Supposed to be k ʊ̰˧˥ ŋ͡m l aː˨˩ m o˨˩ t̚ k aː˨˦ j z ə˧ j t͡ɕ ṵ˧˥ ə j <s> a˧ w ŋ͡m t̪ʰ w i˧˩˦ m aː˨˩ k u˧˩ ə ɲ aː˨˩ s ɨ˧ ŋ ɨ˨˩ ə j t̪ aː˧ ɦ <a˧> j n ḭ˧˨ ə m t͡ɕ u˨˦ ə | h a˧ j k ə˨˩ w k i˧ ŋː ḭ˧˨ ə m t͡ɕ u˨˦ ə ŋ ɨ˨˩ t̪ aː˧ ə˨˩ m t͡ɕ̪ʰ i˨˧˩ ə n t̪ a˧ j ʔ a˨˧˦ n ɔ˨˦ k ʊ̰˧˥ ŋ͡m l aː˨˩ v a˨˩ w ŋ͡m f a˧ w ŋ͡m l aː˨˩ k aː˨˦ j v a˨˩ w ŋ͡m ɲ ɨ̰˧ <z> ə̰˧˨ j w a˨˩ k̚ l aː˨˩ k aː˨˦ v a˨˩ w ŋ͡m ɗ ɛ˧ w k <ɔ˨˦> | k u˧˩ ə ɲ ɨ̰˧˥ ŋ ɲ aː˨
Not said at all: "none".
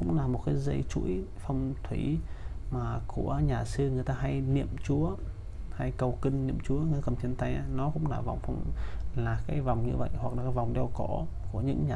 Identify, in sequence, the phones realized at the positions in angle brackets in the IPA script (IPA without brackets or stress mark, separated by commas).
f, a˧, v, ɔ˧˩